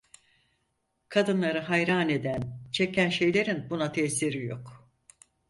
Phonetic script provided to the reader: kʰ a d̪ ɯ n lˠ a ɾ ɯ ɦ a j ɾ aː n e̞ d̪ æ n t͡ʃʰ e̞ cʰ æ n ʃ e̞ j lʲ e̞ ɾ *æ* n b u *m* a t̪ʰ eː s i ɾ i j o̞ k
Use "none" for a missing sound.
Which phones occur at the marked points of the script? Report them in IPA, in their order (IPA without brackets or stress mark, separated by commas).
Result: i, n